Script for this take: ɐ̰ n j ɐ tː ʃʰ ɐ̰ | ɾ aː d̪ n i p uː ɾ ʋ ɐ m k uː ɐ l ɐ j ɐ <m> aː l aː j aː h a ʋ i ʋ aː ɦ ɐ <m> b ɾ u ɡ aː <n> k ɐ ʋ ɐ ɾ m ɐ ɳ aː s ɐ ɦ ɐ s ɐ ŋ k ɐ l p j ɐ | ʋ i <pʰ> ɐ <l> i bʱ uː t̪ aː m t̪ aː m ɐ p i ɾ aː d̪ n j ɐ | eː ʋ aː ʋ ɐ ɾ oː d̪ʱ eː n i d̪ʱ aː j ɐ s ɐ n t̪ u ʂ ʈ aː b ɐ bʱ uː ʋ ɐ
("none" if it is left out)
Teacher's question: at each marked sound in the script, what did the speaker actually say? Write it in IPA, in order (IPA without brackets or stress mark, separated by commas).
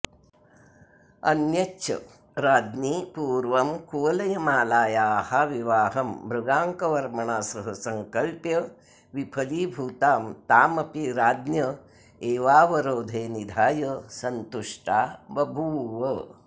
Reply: m, m, ŋ, pʰ, l